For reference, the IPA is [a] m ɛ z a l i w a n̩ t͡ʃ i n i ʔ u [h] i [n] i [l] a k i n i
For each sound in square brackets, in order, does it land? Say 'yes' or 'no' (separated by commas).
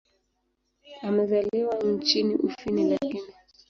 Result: yes, no, yes, yes